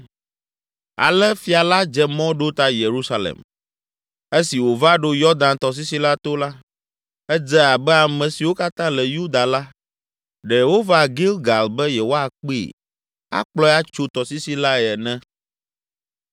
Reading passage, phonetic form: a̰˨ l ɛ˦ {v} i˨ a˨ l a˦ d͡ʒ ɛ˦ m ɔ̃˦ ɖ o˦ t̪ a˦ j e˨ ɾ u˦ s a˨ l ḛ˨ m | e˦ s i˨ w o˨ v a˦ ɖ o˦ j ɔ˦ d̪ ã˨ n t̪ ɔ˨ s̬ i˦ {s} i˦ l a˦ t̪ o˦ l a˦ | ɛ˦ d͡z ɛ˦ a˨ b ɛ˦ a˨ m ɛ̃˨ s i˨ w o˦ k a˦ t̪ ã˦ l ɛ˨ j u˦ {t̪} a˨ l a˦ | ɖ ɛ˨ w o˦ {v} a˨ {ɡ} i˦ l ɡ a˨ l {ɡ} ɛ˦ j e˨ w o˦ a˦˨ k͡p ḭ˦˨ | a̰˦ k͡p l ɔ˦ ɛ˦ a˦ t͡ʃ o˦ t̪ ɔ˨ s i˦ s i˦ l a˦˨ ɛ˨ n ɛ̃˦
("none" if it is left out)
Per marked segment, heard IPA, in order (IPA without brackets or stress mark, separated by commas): f, s, d̪, v, ɡ, b